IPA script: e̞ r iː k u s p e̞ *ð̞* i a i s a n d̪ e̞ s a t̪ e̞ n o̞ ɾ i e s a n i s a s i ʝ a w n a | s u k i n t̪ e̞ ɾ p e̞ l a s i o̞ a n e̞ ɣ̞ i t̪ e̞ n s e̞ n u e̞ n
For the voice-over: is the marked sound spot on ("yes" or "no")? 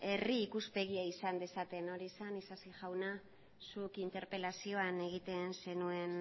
no